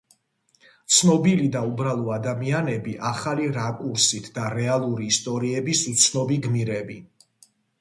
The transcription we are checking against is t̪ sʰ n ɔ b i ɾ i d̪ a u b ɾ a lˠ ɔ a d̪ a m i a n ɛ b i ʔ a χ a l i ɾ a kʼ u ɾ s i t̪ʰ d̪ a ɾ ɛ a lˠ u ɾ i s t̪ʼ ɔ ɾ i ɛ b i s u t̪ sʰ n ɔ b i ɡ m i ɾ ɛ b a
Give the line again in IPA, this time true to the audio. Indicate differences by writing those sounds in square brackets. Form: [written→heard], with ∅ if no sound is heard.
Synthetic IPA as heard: t̪ sʰ n ɔ b i [ɾ→l] i d̪ a u b ɾ a lˠ ɔ a d̪ a m i a n ɛ b i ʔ a χ a l i ɾ a kʼ u ɾ s i t̪ʰ d̪ a ɾ ɛ a lˠ u ɾ [i→iː] s t̪ʼ ɔ ɾ i ɛ b i s u t̪ sʰ n ɔ b i ɡ m i ɾ ɛ b [a→i]

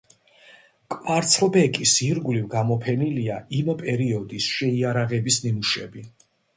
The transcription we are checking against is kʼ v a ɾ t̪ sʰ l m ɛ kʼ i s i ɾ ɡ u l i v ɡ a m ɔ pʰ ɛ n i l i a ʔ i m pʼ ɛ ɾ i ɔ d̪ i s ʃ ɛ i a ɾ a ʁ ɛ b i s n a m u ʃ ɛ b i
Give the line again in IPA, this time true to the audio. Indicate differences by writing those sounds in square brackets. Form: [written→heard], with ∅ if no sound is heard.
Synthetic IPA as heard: kʼ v a ɾ t̪ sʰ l [m→b] ɛ kʼ i s i ɾ ɡ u l i v ɡ a m ɔ pʰ ɛ n i l i a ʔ i m pʼ ɛ ɾ i ɔ d̪ i s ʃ ɛ i a ɾ a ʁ ɛ b i s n [a→i] m u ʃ ɛ b i

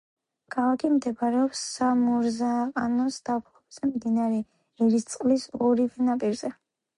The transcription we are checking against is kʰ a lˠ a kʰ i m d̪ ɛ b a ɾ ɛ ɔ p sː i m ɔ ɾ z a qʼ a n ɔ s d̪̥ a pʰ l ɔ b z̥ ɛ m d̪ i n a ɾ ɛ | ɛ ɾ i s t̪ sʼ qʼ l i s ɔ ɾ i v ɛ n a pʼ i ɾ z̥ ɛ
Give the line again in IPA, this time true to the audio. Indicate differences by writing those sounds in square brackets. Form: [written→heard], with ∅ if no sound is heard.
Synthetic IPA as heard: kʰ a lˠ a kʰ i m d̪ ɛ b a ɾ ɛ ɔ p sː [i→a] m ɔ ɾ z a qʼ a n ɔ s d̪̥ a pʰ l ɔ b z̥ ɛ m d̪ i n a ɾ ɛ | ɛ ɾ i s t̪ sʼ qʼ l i s ɔ ɾ i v ɛ n a pʼ i ɾ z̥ ɛ

